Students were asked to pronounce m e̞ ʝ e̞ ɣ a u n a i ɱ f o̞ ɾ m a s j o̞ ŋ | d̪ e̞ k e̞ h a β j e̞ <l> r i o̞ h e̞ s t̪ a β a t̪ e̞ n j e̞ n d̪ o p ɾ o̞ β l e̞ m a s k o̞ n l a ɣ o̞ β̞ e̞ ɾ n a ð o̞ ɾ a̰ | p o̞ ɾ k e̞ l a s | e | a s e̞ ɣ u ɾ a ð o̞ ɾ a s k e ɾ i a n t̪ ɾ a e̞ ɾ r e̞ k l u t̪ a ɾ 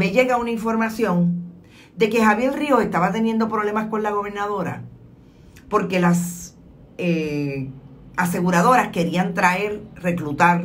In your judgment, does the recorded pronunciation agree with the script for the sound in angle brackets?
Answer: yes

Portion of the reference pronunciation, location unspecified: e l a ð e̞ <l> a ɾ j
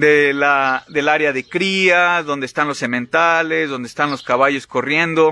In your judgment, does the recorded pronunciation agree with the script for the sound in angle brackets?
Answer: yes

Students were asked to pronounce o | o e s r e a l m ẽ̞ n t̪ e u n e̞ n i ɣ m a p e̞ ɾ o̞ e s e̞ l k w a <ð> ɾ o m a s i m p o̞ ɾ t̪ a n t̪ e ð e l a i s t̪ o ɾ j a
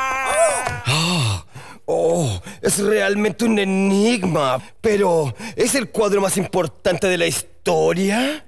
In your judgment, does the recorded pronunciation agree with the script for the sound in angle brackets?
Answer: yes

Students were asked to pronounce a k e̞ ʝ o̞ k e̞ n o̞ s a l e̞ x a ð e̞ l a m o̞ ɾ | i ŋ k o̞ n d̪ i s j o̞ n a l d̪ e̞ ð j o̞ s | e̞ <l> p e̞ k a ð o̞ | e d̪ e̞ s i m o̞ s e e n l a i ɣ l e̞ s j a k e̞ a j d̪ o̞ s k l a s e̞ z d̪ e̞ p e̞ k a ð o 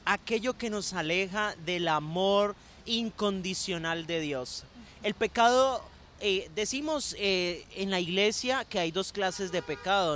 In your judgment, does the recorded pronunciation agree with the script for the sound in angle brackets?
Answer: yes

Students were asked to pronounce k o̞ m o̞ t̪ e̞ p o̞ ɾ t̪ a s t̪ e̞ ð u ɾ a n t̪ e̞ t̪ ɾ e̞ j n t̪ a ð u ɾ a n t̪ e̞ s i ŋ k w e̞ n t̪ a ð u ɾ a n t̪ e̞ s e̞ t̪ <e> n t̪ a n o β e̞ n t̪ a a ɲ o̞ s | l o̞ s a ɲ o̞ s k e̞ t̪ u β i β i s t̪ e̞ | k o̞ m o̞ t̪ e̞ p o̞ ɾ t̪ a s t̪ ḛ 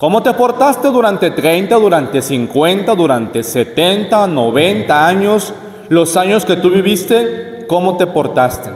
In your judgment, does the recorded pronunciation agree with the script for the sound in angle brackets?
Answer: yes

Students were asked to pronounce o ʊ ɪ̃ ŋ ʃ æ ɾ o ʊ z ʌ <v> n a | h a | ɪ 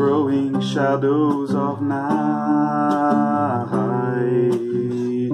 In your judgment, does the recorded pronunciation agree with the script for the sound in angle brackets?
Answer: yes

